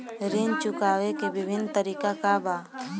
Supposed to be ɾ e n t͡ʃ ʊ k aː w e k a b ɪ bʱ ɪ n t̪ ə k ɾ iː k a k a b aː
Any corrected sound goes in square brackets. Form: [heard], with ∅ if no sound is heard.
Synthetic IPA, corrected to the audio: ɾ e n t͡ʃ ʊ k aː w e k [e] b ɪ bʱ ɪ n t̪ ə [∅] ɾ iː k a k a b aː